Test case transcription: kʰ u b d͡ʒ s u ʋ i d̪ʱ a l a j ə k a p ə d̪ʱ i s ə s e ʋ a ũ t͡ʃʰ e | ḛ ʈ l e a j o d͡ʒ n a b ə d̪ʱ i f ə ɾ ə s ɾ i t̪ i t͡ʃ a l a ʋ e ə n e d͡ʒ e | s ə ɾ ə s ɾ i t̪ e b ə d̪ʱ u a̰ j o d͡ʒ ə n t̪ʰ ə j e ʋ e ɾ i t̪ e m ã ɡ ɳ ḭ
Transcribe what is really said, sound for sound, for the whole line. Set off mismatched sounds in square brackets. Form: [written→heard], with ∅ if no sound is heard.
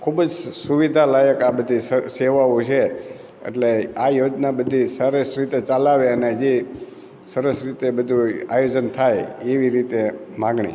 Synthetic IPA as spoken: kʰ u b d͡ʒ s u ʋ i d̪ʱ a l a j ə k a [p→b] ə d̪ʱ i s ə s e ʋ a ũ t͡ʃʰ e | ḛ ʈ l e a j o d͡ʒ n a b ə d̪ʱ i [f→s] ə ɾ ə s ɾ i t̪ [i→e] t͡ʃ a l a ʋ e ə n e d͡ʒ e | s ə ɾ ə s ɾ i t̪ e b ə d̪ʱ u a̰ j o d͡ʒ ə n t̪ʰ [ə→a] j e ʋ [e→i] ɾ i t̪ e m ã ɡ ɳ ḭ